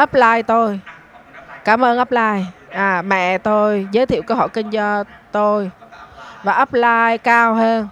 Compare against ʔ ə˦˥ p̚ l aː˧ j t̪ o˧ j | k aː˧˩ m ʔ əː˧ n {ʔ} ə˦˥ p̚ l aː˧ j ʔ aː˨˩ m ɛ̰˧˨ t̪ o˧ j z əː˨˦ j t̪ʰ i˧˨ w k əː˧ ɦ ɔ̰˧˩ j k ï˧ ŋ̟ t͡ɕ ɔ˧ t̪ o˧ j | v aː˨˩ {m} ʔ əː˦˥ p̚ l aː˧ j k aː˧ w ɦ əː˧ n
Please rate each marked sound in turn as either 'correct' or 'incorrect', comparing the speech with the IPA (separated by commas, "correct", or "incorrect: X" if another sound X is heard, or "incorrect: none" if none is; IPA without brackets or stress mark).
correct, incorrect: none